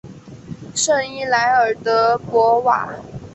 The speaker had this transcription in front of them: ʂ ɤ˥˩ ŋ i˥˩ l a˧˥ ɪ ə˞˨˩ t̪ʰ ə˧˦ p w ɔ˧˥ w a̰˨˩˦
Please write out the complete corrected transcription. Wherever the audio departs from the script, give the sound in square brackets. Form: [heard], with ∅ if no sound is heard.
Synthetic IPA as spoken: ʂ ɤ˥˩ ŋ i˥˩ l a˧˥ ɪ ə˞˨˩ [t̪] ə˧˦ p w ɔ˧˥ w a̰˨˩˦